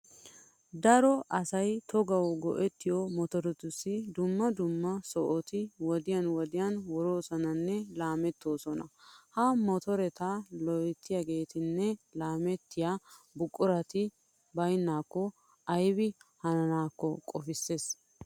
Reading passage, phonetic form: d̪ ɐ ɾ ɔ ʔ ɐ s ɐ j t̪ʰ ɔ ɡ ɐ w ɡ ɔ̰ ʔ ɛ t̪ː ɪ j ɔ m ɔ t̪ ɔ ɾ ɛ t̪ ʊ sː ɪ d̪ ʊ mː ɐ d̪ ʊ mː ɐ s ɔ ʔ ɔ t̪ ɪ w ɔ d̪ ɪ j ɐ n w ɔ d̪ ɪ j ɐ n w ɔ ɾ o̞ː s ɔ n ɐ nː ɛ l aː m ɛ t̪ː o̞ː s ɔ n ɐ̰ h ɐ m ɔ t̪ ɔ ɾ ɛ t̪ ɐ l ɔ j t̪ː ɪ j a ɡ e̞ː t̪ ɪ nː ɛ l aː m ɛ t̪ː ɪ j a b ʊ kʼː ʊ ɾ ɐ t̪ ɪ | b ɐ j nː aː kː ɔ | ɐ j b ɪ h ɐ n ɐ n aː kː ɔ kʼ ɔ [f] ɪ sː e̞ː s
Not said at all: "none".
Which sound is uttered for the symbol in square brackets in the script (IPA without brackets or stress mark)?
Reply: f